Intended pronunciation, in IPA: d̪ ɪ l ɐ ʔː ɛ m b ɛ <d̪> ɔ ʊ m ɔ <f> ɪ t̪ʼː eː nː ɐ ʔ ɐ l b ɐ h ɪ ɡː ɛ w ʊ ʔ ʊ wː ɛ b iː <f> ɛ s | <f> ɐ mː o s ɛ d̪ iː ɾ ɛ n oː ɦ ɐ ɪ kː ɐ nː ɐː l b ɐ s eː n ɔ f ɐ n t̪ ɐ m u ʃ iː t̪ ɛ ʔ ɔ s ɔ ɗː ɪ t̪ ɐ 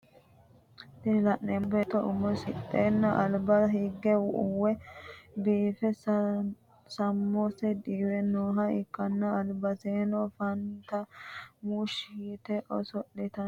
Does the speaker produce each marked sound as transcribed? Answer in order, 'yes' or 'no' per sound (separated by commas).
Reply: no, no, yes, no